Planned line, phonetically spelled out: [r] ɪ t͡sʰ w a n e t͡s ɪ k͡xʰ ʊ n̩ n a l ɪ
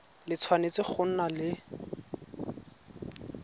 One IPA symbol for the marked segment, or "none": l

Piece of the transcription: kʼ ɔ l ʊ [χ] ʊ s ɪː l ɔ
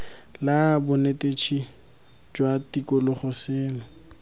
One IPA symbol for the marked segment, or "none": χ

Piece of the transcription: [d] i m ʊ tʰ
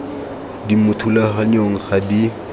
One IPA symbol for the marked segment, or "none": d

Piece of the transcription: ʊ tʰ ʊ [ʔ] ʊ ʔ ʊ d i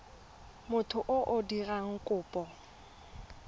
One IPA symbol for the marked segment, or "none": ʔ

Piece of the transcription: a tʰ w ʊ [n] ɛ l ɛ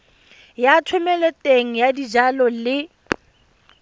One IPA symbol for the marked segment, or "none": m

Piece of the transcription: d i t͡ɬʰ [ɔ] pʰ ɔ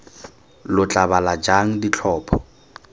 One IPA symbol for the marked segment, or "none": ɔː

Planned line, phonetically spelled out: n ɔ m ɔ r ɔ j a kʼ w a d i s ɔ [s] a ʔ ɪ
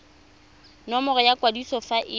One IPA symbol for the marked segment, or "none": f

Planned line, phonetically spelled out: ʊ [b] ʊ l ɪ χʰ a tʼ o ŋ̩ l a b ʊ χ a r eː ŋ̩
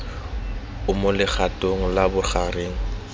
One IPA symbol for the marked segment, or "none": m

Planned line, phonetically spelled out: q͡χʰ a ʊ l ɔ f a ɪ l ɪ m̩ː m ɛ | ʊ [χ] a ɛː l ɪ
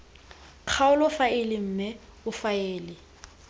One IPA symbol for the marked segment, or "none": f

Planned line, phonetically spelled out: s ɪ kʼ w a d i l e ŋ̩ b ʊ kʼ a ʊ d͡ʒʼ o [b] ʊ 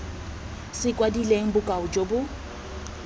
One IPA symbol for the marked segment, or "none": b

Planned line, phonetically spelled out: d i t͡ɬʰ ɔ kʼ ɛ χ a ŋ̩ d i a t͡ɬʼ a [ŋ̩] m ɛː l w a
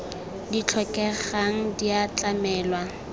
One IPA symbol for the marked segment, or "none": none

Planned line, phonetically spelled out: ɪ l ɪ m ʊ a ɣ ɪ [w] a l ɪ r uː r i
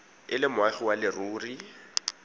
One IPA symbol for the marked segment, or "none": w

